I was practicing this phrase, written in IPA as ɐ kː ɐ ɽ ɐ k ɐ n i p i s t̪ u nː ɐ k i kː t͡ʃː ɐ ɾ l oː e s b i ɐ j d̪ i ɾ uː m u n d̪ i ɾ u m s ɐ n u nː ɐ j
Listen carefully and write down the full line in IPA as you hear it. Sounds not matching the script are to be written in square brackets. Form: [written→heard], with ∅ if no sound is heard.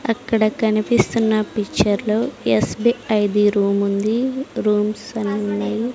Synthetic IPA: ɐ kː ɐ ɽ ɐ k ɐ n i p i s t̪ u nː ɐ [k→p] i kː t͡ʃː ɐ ɾ l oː e s b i ɐ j d̪ i ɾ uː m u n d̪ i ɾ [u→uː] m s ɐ n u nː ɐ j

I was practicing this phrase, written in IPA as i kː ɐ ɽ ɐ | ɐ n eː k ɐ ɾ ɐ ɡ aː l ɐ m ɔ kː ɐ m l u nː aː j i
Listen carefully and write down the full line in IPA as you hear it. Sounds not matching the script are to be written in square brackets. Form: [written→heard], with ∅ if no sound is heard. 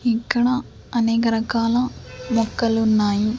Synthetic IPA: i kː ɐ ɽ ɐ | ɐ n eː k ɐ ɾ ɐ [ɡ→k] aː l ɐ m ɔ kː ɐ [m→∅] l u nː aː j i

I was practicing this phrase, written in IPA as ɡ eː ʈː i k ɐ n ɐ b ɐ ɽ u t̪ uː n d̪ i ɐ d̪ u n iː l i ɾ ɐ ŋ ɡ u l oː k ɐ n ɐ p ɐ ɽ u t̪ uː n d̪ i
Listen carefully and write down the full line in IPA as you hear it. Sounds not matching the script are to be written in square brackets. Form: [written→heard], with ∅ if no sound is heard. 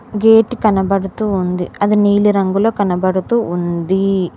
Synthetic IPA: ɡ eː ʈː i k ɐ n ɐ b ɐ ɽ u t̪ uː n d̪ i ɐ d̪ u n iː l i ɾ ɐ ŋ ɡ u l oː k ɐ n ɐ [p→b] ɐ ɽ u t̪ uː n d̪ i

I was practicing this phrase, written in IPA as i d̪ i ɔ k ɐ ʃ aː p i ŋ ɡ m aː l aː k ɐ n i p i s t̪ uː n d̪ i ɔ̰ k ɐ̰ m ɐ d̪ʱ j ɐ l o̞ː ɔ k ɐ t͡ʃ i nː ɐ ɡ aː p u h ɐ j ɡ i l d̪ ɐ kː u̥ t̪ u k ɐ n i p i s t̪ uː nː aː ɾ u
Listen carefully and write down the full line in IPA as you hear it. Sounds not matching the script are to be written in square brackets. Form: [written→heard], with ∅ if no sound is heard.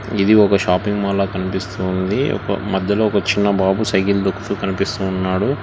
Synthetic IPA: i d̪ i ɔ k ɐ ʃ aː p i ŋ ɡ m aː l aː k ɐ n i p i s t̪ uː n d̪ i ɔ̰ k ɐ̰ m ɐ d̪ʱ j ɐ l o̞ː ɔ k ɐ t͡ʃ i nː ɐ [ɡ→b] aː [p→b] u [h→s] ɐ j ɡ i l d̪ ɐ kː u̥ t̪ u k ɐ n i p i s t̪ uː nː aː [ɾ→ɽ] u

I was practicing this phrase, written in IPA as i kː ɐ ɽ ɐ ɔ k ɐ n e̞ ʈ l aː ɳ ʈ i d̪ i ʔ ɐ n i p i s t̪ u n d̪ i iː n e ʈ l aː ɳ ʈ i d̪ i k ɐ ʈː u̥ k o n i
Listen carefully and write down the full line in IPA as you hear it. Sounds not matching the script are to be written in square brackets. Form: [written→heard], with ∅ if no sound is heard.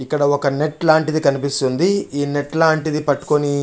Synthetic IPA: i kː ɐ ɽ ɐ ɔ k ɐ n e̞ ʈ l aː ɳ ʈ i d̪ i [ʔ→k] ɐ n i p i s t̪ u n d̪ i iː n e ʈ l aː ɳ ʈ i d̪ i [k→p] ɐ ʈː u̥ k o n i

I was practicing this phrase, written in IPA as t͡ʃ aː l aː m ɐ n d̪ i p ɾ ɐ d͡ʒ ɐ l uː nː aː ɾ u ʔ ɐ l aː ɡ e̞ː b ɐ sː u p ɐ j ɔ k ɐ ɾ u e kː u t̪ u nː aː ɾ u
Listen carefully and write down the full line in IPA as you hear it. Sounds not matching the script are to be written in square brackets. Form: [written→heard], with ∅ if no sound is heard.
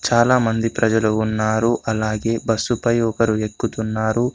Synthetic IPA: t͡ʃ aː l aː m ɐ n d̪ i p ɾ ɐ d͡ʒ ɐ l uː nː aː ɾ u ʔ ɐ l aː ɡ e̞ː b ɐ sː u p ɐ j ɔ k ɐ ɾ u e kː u t̪ u nː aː ɾ u

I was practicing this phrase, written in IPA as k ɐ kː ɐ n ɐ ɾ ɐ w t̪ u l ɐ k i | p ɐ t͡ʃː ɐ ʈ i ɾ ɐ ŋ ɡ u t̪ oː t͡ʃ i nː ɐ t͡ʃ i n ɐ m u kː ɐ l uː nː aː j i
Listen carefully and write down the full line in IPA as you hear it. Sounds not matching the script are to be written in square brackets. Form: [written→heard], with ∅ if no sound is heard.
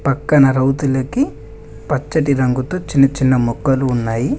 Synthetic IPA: [k→p] ɐ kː ɐ n ɐ ɾ ɐ w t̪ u l ɐ k i | p ɐ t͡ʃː ɐ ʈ i ɾ ɐ ŋ ɡ u t̪ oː t͡ʃ i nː ɐ t͡ʃ i [n→nː] ɐ m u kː ɐ l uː nː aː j i

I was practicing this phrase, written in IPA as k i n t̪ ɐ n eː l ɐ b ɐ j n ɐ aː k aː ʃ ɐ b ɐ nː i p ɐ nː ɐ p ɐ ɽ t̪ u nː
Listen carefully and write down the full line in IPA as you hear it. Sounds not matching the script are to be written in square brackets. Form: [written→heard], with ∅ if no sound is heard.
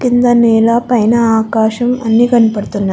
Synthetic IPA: k i n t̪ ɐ n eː l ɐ [b→p] ɐ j n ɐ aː k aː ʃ ɐ [b→m] ɐ nː i [p→k] ɐ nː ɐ p ɐ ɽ t̪ u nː

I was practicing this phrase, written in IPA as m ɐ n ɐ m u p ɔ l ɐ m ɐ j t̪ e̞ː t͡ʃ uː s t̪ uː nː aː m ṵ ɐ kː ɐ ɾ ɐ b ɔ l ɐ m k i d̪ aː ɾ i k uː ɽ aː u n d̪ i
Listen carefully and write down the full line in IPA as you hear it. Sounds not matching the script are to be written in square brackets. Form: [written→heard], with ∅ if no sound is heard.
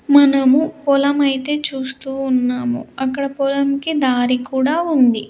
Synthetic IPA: m ɐ n ɐ m u p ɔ l ɐ m ɐ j t̪ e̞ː t͡ʃ uː s t̪ uː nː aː m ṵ ɐ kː ɐ [ɾ→ɽ] ɐ [b→p] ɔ l ɐ m k i d̪ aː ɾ i k uː ɽ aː u n d̪ i

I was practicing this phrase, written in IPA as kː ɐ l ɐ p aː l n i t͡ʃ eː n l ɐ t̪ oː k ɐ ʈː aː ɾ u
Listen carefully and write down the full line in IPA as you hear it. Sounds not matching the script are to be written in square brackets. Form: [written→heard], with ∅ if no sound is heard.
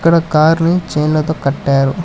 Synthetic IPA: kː ɐ [l→ɽ] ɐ [p→k] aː [l→ɾ] n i t͡ʃ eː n l ɐ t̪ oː k ɐ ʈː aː ɾ u

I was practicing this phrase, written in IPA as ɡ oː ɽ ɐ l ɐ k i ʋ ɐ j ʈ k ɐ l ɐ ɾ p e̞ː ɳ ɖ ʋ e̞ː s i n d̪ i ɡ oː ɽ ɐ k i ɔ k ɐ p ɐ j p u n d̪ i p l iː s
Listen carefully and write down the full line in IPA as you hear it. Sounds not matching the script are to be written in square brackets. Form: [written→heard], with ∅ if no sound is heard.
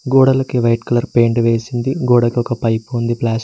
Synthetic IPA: ɡ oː ɽ ɐ l ɐ k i ʋ ɐ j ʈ k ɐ l ɐ ɾ p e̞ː ɳ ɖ ʋ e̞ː s i n d̪ i ɡ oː ɽ ɐ k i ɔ k ɐ p ɐ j p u n d̪ i p l [iː→aː] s

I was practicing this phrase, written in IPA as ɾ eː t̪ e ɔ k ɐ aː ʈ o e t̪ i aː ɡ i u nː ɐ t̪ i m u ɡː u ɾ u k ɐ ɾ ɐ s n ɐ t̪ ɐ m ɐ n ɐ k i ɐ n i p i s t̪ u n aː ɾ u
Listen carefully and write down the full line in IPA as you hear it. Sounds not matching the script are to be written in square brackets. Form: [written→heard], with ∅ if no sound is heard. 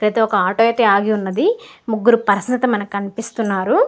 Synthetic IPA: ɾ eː t̪ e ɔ k ɐ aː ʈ o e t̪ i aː ɡ i u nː ɐ [t̪→d̪] i m u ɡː u ɾ u [k→p] ɐ ɾ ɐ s n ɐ t̪ ɐ m ɐ n ɐ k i ɐ n i p i s t̪ u [n→nː] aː ɾ u

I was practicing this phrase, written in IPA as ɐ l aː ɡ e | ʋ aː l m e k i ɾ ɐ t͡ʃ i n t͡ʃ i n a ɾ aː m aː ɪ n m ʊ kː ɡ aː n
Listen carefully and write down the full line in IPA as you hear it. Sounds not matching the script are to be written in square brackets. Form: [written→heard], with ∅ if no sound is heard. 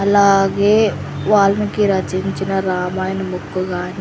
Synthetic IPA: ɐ l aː ɡ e | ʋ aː l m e k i ɾ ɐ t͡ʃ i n t͡ʃ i n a ɾ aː m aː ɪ n m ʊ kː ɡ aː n

